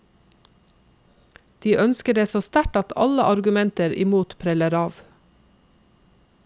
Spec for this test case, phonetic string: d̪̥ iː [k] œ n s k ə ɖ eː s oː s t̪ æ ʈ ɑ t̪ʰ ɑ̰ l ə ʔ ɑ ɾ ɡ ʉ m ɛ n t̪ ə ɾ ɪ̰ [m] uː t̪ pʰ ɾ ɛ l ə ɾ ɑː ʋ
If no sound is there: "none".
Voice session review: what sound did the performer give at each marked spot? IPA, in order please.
ʔ, m

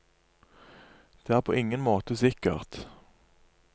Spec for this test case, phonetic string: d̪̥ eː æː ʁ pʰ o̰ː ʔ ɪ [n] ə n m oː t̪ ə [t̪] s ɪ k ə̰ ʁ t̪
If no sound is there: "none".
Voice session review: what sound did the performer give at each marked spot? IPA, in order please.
ŋ, none

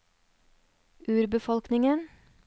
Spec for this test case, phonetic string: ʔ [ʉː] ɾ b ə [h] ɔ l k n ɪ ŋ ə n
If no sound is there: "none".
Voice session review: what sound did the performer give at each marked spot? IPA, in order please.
ʉː, f

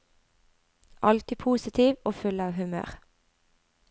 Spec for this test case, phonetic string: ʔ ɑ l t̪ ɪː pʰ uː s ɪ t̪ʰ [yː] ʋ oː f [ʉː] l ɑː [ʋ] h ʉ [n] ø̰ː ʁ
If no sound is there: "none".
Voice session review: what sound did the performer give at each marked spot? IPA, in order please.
iː, ʉ, ʋ, m

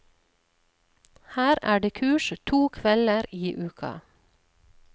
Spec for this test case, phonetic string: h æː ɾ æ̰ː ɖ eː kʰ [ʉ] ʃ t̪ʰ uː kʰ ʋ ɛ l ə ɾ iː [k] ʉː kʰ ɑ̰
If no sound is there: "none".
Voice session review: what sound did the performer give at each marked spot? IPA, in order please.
ʉː, ʔ

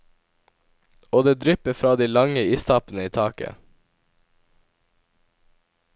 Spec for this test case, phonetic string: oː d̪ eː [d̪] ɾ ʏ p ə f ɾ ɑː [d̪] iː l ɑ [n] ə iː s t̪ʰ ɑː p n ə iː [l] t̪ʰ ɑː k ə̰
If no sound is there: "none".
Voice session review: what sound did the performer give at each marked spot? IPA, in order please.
d̪, d̪, ŋ, none

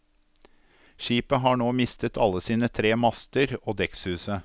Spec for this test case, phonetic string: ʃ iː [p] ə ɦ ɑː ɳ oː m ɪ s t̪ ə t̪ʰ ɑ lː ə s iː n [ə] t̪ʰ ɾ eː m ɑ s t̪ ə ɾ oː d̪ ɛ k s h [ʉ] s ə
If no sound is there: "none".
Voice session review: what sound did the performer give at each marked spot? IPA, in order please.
p, ə, ʉː

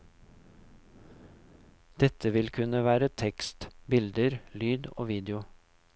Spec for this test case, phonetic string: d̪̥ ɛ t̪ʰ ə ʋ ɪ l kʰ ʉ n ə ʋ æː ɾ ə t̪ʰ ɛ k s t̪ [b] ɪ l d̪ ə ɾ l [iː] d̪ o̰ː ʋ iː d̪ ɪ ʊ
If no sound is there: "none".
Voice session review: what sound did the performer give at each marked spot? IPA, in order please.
b, yː

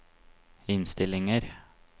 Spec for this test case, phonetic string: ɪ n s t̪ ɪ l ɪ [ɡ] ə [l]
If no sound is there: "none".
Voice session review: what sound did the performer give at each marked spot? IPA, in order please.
ŋ, ɾ

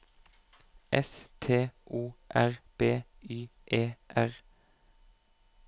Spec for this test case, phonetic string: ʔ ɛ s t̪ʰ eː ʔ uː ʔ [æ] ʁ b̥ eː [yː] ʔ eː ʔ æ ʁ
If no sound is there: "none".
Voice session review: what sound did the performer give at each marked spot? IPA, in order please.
æ, yː

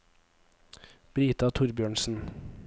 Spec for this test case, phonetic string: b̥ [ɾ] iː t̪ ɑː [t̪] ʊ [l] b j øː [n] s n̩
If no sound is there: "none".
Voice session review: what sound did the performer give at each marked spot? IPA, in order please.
ɾ, t̪ʰ, ɾ, ɳ

